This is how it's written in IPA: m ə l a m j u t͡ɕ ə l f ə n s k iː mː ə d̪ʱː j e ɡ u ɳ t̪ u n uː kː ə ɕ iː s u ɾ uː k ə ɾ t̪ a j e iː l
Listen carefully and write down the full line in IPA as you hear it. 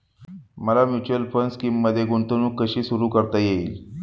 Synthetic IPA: m ə l a m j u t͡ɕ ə l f ə n s k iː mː ə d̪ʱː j e ɡ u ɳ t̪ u n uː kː ə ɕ iː s u ɾ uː k ə ɾ t̪ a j e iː l